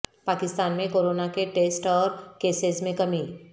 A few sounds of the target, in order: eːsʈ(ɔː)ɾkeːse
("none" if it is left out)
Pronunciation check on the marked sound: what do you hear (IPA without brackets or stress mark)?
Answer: ɔː